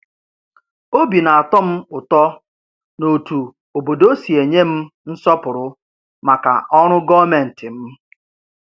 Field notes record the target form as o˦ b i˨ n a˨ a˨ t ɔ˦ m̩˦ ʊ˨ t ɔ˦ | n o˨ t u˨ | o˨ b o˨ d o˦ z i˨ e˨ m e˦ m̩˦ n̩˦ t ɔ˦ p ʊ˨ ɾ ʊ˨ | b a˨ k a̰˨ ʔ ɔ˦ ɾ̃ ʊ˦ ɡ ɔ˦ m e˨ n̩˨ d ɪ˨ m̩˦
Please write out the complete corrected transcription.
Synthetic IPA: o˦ b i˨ n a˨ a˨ t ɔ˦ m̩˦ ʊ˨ t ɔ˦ | n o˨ t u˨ | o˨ b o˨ d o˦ s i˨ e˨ ɲ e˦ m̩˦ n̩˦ s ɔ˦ p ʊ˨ ɾ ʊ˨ | m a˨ k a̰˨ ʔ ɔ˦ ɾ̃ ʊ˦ ɡ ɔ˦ m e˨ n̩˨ t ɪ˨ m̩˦